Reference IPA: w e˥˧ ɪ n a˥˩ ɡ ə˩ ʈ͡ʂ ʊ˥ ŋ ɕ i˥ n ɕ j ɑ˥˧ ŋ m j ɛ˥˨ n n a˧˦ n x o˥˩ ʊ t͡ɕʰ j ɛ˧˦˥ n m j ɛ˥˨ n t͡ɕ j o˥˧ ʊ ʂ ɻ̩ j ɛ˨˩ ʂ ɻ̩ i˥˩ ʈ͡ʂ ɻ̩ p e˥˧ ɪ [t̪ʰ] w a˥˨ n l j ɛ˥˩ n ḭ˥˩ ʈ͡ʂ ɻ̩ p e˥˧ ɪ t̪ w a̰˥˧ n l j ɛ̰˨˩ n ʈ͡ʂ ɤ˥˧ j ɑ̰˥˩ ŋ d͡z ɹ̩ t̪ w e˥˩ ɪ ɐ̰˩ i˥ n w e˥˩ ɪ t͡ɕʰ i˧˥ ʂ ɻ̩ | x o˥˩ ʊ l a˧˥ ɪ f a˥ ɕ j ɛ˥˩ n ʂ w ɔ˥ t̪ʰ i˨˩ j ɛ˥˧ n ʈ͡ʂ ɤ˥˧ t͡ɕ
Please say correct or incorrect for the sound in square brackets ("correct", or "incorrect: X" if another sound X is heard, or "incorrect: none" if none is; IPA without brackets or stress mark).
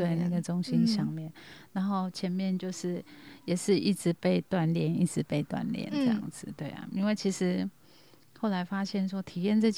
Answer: incorrect: t̪